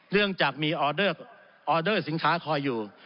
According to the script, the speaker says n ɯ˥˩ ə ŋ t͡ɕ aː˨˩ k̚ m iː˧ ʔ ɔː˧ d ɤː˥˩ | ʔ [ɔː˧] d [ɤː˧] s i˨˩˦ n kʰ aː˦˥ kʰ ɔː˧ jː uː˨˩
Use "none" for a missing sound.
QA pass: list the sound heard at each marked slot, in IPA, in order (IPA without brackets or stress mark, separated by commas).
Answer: ɔː˧, ɤː˥˩